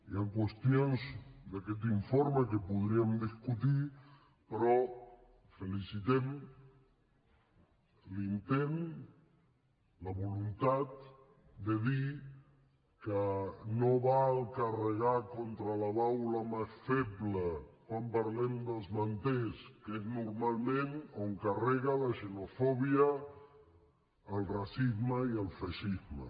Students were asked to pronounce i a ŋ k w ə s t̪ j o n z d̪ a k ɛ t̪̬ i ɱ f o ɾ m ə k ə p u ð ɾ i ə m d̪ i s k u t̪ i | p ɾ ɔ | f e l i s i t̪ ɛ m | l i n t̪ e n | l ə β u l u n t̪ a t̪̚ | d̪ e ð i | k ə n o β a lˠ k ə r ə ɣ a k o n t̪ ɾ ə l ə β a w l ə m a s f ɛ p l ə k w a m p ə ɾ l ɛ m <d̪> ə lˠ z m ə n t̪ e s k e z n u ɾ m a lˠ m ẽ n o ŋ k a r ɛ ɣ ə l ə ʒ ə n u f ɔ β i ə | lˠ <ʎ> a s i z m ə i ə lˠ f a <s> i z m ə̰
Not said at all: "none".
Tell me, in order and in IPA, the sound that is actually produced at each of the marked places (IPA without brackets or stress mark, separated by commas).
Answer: d̪, r, ʃ